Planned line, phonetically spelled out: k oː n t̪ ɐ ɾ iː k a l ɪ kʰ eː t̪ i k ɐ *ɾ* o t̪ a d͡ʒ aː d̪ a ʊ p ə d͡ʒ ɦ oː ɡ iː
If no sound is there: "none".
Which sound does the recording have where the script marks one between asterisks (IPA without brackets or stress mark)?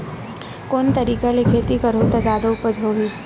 ɾ